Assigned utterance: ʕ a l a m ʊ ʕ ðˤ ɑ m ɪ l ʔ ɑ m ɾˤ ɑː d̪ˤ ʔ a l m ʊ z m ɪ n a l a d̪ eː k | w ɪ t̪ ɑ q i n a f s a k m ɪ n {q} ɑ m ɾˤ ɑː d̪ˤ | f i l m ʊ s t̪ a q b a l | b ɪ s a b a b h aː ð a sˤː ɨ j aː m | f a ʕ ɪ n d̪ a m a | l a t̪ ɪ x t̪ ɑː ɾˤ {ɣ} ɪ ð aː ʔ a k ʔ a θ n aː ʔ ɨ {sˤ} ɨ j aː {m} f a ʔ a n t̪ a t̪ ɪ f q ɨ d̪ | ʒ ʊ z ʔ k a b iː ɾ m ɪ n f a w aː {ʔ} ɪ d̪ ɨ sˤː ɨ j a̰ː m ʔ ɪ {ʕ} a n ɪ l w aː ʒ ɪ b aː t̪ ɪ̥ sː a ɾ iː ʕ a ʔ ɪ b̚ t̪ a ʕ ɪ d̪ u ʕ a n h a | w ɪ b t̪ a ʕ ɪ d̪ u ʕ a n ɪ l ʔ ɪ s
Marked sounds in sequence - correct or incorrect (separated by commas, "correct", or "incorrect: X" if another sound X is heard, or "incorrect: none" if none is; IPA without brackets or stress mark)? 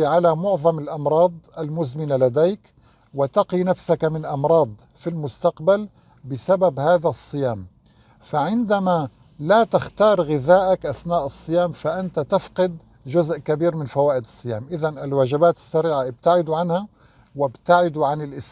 incorrect: ʔ, correct, incorrect: sˤː, correct, correct, incorrect: ð